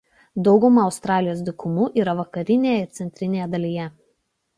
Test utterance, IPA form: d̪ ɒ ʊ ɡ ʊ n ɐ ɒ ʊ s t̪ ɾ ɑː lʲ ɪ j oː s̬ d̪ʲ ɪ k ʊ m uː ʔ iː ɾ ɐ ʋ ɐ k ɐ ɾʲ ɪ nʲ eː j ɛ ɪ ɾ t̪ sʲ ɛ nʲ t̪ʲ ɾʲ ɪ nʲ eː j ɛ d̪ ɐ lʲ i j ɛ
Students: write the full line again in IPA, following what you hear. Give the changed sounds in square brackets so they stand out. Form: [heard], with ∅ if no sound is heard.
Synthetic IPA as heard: d̪ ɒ ʊ ɡ ʊ [m] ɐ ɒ ʊ s t̪ ɾ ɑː lʲ ɪ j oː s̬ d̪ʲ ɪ k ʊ m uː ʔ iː ɾ ɐ ʋ ɐ k ɐ ɾʲ ɪ nʲ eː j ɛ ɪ ɾ t̪ sʲ ɛ nʲ t̪ʲ ɾʲ ɪ nʲ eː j ɛ d̪ ɐ lʲ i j ɛ

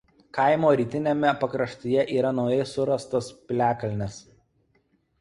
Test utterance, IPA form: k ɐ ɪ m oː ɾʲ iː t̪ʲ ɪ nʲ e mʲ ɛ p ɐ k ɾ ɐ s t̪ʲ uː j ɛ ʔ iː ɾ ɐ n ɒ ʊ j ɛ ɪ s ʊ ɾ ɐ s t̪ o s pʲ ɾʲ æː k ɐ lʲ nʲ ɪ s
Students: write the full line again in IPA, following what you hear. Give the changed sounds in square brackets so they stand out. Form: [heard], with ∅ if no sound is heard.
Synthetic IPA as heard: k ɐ ɪ m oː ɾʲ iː t̪ʲ ɪ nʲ e mʲ ɛ p ɐ k ɾ ɐ [ʃ] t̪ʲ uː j ɛ ʔ iː ɾ ɐ n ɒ ʊ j ɛ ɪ s ʊ ɾ ɐ s t̪ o s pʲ [lʲ] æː k ɐ lʲ nʲ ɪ s

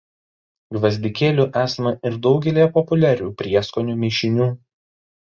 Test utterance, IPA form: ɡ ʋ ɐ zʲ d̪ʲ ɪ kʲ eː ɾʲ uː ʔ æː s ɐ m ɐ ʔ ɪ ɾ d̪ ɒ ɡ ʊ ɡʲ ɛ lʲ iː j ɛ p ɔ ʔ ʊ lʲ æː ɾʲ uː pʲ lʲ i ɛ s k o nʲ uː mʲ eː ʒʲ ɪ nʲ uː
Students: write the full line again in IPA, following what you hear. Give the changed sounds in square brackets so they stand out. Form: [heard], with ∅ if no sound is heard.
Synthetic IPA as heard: ɡ ʋ ɐ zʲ d̪ʲ ɪ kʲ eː [lʲ] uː ʔ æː s ɐ m ɐ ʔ ɪ ɾ d̪ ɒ [∅] ʊ ɡʲ ɛ lʲ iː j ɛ p ɔ [p] ʊ lʲ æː ɾʲ uː pʲ [ɾʲ] i ɛ s k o nʲ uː mʲ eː [ʃʲ] ɪ nʲ uː

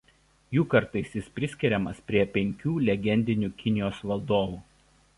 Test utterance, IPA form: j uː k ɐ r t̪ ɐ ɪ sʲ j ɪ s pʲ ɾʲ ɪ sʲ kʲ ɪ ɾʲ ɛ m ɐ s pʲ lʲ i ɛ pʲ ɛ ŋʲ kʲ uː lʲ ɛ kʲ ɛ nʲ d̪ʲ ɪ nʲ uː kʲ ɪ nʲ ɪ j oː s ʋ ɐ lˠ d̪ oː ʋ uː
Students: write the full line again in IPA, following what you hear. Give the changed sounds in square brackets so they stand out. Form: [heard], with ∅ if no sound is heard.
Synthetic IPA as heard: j uː k ɐ [ɾ] t̪ ɐ ɪ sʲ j ɪ s pʲ ɾʲ ɪ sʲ kʲ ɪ ɾʲ ɛ m ɐ s pʲ [ɾʲ] i ɛ pʲ ɛ ŋʲ kʲ uː lʲ ɛ [ɡʲ] ɛ nʲ d̪ʲ ɪ nʲ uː kʲ ɪ nʲ ɪ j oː s ʋ ɐ lˠ d̪ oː ʋ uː

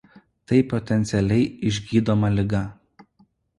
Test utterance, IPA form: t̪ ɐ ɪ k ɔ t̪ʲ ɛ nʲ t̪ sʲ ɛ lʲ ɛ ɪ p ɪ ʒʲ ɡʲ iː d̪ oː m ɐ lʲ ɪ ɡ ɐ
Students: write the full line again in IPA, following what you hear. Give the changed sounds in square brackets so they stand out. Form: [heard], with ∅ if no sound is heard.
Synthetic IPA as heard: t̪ ɐ ɪ [p] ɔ t̪ʲ ɛ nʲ t̪ sʲ ɛ lʲ ɛ ɪ [∅] ɪ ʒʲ ɡʲ iː d̪ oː m ɐ lʲ ɪ ɡ ɐ

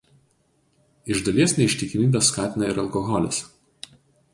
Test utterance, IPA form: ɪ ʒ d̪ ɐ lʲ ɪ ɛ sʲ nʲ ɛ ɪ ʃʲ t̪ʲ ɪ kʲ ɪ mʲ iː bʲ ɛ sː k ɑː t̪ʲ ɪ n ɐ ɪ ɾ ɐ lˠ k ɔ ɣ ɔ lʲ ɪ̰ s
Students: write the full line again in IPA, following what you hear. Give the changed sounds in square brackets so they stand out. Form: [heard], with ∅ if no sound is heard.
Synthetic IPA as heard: ɪ ʒ d̪ ɐ lʲ [i] ɛ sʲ nʲ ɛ ɪ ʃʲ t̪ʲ ɪ kʲ ɪ mʲ iː bʲ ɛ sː k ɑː t̪ʲ ɪ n ɐ ɪ ɾ ɐ lˠ k ɔ ɣ ɔ lʲ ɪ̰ s

